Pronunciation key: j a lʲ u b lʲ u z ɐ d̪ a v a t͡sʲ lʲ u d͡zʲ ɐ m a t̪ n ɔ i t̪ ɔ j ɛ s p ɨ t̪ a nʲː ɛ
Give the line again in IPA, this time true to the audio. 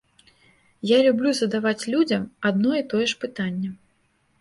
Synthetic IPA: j a lʲ u b lʲ u z ɐ d̪ a v a t͡sʲ lʲ u d͡zʲ ɐ m a d̪ n ɔ i t̪ ɔ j ɛ ʂ p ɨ t̪ a nʲː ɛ